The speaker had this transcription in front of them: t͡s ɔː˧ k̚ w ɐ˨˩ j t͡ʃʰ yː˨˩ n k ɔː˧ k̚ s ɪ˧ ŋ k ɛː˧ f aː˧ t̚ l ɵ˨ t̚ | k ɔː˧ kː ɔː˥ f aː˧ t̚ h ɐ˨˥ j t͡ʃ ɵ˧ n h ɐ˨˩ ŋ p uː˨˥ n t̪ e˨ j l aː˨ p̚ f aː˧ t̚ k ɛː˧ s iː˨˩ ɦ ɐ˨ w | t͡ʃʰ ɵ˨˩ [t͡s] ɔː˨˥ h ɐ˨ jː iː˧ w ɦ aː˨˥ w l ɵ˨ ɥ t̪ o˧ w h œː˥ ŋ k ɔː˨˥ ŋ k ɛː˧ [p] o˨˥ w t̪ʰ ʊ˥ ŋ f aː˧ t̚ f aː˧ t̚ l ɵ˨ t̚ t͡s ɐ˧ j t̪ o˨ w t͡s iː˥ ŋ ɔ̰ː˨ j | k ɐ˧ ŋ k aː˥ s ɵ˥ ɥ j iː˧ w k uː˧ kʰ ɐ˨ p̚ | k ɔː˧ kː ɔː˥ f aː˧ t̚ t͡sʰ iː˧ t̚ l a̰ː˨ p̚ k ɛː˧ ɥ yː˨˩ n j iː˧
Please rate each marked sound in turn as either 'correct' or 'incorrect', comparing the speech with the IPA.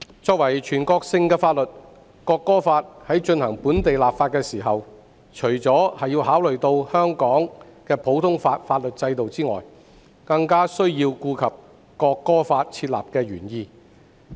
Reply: correct, incorrect

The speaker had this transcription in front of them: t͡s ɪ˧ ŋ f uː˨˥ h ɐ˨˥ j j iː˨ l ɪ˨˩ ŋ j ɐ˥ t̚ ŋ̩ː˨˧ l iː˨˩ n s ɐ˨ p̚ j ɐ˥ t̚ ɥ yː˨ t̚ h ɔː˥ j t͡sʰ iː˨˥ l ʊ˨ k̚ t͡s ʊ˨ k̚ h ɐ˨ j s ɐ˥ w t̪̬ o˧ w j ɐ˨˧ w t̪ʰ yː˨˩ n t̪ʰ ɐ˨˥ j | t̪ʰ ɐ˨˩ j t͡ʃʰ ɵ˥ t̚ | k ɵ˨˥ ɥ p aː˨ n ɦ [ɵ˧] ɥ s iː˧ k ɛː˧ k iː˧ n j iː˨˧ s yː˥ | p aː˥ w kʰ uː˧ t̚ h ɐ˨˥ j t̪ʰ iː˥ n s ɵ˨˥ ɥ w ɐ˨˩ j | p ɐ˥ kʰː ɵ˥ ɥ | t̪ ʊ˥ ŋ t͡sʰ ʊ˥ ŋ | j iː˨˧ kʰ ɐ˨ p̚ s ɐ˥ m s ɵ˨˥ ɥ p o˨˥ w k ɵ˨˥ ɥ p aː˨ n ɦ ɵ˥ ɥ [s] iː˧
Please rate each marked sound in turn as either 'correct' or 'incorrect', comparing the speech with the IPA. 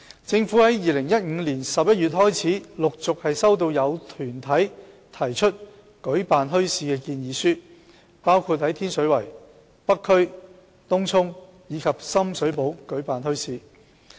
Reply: incorrect, correct

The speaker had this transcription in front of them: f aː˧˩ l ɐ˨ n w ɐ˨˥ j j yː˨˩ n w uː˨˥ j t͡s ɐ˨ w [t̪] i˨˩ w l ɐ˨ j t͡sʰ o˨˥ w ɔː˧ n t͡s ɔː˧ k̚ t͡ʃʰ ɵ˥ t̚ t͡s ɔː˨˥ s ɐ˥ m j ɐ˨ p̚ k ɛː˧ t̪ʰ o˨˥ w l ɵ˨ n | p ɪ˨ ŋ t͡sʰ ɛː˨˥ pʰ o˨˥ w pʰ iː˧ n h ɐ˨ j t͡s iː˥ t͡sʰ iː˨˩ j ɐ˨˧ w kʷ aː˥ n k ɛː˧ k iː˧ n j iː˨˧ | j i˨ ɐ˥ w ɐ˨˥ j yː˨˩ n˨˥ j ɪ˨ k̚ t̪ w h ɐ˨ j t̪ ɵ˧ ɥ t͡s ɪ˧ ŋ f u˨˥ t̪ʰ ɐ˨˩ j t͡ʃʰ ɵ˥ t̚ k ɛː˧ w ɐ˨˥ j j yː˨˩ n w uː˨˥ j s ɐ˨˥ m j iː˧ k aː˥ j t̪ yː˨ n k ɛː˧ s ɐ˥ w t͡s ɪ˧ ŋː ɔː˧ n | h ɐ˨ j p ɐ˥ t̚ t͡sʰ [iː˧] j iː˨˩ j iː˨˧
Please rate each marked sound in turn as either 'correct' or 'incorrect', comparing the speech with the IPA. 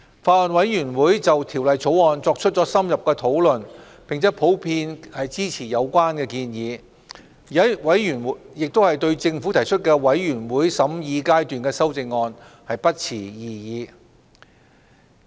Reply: incorrect, incorrect

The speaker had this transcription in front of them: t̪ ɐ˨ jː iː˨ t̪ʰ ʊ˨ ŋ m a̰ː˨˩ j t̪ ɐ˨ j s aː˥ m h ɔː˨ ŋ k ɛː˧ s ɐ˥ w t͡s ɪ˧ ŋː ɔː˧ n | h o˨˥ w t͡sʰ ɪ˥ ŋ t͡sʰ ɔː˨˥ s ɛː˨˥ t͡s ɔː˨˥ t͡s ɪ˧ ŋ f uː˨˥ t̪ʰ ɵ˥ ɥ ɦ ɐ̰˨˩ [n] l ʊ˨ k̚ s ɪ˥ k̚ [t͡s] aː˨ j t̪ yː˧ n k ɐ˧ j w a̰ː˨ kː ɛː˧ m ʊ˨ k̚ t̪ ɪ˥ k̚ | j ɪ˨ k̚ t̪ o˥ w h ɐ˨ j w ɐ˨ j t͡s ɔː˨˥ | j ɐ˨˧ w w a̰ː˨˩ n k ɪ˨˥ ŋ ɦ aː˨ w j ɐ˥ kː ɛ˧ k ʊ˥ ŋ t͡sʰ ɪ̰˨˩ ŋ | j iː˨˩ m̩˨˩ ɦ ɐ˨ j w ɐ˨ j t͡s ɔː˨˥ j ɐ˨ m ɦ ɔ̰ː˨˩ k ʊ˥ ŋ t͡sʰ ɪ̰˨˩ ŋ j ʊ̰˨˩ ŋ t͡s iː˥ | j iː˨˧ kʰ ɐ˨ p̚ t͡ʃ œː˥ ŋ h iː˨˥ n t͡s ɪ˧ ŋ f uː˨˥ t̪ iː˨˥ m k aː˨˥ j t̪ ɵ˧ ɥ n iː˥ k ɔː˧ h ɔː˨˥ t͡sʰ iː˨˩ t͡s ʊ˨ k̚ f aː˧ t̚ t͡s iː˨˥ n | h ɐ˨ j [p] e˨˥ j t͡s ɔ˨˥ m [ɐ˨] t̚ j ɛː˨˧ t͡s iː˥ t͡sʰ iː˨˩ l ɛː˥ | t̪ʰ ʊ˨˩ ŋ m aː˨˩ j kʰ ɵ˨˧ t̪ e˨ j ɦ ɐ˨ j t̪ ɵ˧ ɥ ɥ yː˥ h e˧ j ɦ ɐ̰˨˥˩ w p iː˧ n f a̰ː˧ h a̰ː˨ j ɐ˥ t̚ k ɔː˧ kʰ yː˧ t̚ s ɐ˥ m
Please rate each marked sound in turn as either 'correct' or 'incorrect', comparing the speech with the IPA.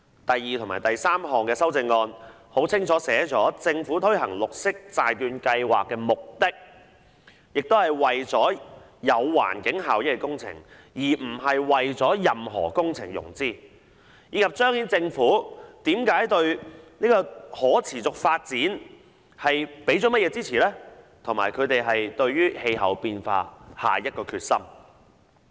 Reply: incorrect, correct, correct, incorrect

